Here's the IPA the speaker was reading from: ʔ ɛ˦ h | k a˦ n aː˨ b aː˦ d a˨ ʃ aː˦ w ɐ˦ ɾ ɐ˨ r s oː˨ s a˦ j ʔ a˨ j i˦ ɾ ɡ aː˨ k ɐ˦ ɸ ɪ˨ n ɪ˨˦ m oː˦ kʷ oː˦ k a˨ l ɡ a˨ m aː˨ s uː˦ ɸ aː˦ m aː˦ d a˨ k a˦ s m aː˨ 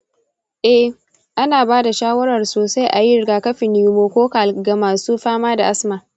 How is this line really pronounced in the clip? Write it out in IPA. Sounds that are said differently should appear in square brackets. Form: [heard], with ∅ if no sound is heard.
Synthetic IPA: ʔ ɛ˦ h | [ʔ] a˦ n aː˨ b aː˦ d a˨ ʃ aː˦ w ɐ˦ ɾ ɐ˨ r s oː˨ s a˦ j ʔ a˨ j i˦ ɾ ɡ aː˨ k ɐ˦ ɸ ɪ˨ n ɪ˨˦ m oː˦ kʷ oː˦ k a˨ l ɡ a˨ m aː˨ s uː˦ ɸ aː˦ m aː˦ d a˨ [ʔ] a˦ s m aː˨

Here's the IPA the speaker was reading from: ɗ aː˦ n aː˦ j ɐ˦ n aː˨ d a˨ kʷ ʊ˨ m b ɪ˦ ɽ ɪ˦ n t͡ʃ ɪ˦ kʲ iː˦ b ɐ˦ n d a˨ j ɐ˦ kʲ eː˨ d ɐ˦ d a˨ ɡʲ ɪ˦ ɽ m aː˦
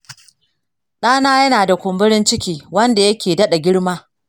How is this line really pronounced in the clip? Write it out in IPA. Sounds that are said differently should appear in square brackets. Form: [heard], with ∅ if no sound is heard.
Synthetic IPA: ɗ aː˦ n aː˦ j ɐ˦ n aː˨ d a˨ kʷ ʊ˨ m b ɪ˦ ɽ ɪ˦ n t͡ʃ ɪ˦ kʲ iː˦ [w] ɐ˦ n d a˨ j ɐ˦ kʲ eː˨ d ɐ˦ [ɗ] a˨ ɡʲ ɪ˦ ɽ m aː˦

